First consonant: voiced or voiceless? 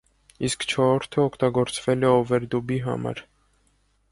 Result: voiceless